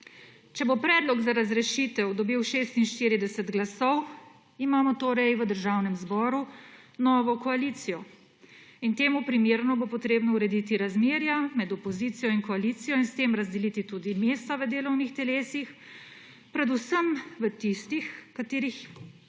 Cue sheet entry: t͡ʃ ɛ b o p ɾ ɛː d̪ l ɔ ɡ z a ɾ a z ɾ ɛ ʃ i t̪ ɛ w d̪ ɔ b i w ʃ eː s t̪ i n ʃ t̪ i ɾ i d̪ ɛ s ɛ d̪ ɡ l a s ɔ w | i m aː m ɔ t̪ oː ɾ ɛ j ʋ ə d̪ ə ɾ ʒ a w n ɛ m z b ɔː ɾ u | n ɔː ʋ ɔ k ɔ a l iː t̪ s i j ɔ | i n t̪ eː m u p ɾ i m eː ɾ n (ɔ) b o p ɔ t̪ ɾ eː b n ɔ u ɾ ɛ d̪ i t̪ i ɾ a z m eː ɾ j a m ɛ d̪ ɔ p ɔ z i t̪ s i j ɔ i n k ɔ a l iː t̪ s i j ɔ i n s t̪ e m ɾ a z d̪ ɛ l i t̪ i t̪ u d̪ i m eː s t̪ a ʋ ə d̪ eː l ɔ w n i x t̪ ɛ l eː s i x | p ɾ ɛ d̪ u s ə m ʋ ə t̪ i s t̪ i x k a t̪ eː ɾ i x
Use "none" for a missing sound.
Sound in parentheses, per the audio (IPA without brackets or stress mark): ɔ